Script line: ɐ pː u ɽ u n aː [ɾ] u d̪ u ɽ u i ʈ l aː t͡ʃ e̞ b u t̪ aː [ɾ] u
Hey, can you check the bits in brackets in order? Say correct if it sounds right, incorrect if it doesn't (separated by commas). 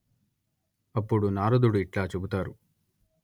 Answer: correct, correct